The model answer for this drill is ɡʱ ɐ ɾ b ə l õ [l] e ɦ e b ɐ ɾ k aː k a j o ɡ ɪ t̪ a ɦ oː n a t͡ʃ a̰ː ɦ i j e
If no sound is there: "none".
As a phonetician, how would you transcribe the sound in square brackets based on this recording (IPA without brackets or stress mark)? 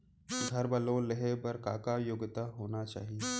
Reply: l